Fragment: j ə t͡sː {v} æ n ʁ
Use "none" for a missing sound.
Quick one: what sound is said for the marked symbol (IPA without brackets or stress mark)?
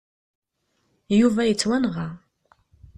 w